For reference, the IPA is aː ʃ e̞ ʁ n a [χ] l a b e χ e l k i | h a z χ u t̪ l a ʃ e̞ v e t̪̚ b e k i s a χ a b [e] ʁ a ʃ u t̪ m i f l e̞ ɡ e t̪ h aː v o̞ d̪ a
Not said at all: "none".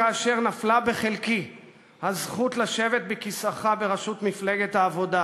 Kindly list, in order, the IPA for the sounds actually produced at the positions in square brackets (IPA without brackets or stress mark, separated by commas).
f, e